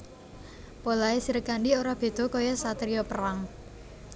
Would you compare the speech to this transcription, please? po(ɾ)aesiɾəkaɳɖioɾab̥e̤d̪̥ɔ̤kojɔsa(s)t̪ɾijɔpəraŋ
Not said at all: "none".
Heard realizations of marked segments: l, none

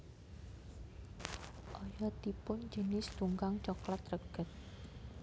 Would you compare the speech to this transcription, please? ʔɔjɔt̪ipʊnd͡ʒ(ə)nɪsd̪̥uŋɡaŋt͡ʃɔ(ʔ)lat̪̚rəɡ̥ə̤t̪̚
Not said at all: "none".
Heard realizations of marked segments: ə, k

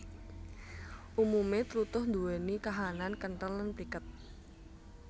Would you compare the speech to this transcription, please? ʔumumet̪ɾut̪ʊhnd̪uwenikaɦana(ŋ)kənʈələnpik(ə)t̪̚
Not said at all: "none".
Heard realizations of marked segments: n, ə

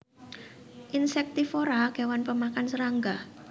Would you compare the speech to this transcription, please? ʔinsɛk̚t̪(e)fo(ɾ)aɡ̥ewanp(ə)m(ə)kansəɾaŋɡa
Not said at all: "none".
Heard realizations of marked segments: i, ɾ, ə, a

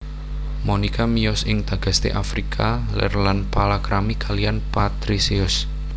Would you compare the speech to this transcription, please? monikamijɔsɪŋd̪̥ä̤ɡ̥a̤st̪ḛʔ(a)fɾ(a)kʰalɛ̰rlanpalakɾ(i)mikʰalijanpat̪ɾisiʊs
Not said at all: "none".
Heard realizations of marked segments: a, i, a

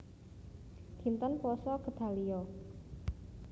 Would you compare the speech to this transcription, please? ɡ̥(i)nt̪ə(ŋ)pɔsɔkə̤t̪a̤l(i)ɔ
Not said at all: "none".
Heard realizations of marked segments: i, n, i

